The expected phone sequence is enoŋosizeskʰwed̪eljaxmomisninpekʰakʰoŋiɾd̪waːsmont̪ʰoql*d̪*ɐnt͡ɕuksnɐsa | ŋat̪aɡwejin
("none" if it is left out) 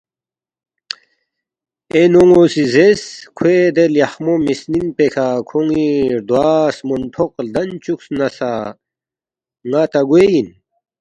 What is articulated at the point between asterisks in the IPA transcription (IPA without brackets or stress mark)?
d̪